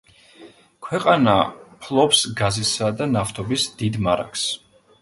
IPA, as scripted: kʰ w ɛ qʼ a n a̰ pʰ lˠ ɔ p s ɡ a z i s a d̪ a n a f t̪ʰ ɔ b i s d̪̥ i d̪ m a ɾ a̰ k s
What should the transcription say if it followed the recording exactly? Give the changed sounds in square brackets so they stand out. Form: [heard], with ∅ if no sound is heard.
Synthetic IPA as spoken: kʰ w ɛ qʼ a n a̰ pʰ lˠ ɔ p s ɡ a z i s a d̪ a n a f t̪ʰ ɔ b i s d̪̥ i d̪ m a ɾ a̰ k s